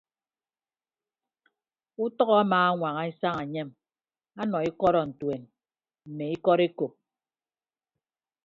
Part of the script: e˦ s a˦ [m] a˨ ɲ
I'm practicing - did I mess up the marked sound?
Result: yes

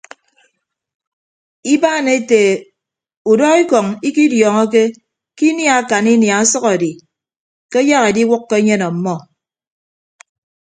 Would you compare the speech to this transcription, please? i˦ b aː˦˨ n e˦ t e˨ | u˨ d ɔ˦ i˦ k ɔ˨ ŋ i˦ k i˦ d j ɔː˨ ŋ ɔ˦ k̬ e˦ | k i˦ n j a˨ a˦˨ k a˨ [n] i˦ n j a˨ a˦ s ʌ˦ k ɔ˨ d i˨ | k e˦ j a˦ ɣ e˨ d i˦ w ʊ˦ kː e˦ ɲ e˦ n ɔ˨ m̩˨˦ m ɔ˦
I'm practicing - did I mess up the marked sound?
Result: no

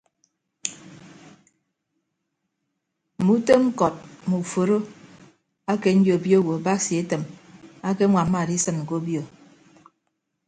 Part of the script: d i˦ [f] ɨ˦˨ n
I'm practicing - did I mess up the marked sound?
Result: yes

